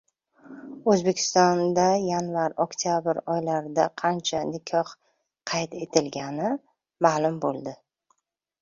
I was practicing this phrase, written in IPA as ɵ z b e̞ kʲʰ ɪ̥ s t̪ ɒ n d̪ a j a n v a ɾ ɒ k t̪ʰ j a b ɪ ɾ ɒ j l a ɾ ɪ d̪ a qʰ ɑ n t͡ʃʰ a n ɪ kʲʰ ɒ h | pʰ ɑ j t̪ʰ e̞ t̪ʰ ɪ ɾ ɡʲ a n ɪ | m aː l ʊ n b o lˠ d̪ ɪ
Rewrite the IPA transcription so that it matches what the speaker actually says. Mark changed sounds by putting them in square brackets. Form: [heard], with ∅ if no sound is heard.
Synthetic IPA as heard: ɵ z b e̞ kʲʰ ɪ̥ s t̪ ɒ n d̪ a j a n v a ɾ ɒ k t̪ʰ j a b ɪ ɾ ɒ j l a ɾ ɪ d̪ a qʰ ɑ n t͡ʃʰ a n ɪ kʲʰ ɒ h | [qʰ] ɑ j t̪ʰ e̞ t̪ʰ ɪ [l] ɡʲ a n ɪ | m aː l ʊ [m] b o lˠ d̪ ɪ

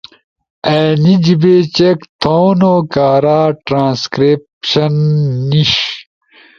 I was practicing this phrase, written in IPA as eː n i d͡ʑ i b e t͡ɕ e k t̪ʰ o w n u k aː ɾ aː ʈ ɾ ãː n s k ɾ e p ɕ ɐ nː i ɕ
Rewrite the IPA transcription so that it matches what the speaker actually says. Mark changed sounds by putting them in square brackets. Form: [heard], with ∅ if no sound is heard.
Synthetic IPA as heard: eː n i d͡ʑ i b e t͡ɕ e k t̪ʰ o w n [o] k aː ɾ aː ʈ ɾ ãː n s k ɾ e p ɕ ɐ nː i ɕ

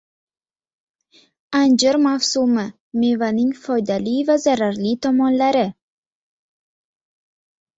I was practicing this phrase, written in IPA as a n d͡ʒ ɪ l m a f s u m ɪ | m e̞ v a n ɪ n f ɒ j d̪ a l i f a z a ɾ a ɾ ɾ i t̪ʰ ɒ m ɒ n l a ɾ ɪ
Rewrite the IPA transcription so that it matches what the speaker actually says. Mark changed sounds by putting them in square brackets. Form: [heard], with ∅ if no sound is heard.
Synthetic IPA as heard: a n d͡ʒ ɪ [ɾ] m a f s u m ɪ | m e̞ v a n ɪ [ŋ] f ɒ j d̪ a l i [v] a z a ɾ a ɾ [l] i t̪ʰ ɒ m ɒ n l a ɾ ɪ

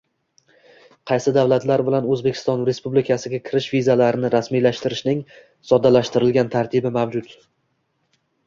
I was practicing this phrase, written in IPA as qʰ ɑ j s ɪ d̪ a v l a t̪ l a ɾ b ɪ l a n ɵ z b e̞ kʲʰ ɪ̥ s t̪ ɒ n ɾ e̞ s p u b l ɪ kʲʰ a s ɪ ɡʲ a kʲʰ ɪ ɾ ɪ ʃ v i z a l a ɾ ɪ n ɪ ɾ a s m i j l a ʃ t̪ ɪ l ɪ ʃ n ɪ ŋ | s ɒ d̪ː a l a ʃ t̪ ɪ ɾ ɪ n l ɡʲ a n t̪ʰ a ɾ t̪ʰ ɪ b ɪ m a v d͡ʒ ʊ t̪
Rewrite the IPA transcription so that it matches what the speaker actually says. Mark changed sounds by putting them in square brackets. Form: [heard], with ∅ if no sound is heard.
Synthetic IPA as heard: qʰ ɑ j s ɪ d̪ a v l a t̪ l a ɾ b ɪ l a n ɵ z b e̞ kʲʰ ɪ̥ s t̪ ɒ n ɾ e̞ s p u b l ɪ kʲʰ a s ɪ ɡʲ a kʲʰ ɪ ɾ ɪ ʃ v i z a l a ɾ ɪ n ɪ ɾ a s m i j l a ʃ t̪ ɪ [ɾ] ɪ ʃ n ɪ ŋ | s ɒ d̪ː a l a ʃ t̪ ɪ ɾ ɪ [∅] l ɡʲ a n t̪ʰ a ɾ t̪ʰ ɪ b ɪ m a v d͡ʒ ʊ t̪

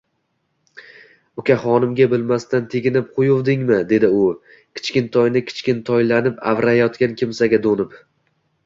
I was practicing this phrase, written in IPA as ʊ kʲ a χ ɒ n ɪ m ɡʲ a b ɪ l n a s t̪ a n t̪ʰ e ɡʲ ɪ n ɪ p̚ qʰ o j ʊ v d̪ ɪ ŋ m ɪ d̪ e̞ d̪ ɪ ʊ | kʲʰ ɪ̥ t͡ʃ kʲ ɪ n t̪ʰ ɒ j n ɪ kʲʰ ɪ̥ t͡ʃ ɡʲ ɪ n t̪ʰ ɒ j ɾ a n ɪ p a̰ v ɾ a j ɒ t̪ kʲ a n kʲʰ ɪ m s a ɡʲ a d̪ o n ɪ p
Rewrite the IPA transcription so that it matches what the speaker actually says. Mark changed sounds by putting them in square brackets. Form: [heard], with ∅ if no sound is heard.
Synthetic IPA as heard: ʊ kʲ a χ ɒ n ɪ m ɡʲ a b ɪ l [m] a s t̪ a n t̪ʰ e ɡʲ ɪ n ɪ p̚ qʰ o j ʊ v d̪ ɪ ŋ m ɪ d̪ e̞ d̪ ɪ ʊ | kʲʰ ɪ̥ t͡ʃ kʲ ɪ n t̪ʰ ɒ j n ɪ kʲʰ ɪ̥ t͡ʃ [kʲ] ɪ n t̪ʰ ɒ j [l] a n ɪ p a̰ v ɾ a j ɒ t̪ kʲ a n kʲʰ ɪ m s a ɡʲ a d̪ o n ɪ p

